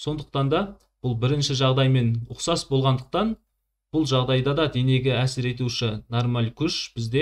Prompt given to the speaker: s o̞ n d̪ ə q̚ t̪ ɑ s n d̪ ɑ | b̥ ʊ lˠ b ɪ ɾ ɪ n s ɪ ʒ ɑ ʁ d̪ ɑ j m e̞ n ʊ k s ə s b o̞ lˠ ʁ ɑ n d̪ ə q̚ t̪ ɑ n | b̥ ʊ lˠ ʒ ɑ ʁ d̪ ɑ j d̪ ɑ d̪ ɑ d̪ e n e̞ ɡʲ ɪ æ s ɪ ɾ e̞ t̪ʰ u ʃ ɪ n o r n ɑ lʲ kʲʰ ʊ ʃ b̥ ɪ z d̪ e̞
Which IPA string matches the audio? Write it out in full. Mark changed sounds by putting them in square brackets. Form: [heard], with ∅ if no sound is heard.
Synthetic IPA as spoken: s o̞ n d̪ ə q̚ t̪ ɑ [∅] n d̪ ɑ | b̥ ʊ lˠ b ɪ ɾ ɪ n [ʃ] ɪ ʒ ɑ ʁ d̪ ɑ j m e̞ n ʊ [q] s [ɑ] s b o̞ lˠ ʁ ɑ n d̪ ə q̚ t̪ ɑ n | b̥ ʊ lˠ ʒ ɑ ʁ d̪ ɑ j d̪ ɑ d̪ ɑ d̪ e n e̞ ɡʲ ɪ æ s ɪ ɾ e̞ [t̪] u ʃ ɪ n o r [m] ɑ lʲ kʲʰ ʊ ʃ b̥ ɪ z d̪ e̞